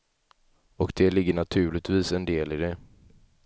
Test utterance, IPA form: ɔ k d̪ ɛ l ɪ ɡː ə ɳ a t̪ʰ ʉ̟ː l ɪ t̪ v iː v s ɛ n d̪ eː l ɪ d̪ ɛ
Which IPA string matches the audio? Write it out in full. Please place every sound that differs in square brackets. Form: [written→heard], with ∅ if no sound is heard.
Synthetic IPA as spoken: ɔ k d̪ ɛ l ɪ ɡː ə ɳ a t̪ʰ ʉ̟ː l ɪ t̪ v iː [v→∅] s ɛ n d̪ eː l ɪ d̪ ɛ